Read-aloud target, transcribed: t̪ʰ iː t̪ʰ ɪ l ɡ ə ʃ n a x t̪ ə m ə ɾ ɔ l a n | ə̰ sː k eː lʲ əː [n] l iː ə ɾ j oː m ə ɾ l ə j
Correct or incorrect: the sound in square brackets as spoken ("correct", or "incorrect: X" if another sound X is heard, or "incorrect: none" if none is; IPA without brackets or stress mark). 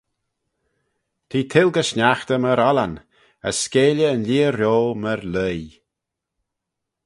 correct